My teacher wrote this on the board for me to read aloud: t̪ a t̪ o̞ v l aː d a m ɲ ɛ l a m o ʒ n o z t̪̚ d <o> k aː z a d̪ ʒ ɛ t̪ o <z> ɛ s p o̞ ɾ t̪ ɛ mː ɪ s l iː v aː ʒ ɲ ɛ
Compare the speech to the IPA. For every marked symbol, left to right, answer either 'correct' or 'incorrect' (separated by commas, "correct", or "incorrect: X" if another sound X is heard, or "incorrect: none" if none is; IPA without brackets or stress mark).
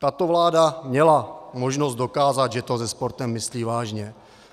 correct, correct